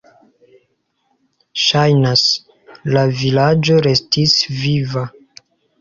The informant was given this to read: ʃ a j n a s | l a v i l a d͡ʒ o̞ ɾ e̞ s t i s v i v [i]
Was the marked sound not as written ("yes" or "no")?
yes